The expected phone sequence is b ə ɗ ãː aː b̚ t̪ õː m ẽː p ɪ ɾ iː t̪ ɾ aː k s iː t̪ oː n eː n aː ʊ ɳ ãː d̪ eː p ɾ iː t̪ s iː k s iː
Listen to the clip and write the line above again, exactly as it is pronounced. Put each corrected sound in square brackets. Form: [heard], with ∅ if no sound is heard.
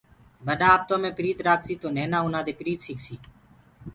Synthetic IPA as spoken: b ə ɗ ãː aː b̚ t̪ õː m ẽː p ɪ ɾ iː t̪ ɾ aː k s iː t̪ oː n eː n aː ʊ [n] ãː d̪ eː p ɾ iː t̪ s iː k s iː